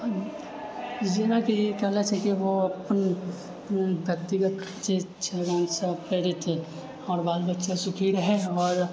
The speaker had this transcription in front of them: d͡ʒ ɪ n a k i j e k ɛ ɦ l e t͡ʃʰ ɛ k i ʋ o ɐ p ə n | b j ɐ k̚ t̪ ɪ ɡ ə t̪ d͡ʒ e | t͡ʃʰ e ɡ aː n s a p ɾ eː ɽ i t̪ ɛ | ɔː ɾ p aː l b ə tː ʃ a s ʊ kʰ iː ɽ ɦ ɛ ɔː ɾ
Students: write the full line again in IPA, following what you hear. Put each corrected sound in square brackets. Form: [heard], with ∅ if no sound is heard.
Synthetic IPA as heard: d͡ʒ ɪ n a k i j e k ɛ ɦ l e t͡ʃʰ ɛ k i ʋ o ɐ p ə n | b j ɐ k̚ t̪ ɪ ɡ ə t̪ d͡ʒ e | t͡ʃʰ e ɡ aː n s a p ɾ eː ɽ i t̪ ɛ | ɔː ɾ [b] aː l b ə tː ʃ a s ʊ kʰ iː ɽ ɦ ɛ ɔː ɾ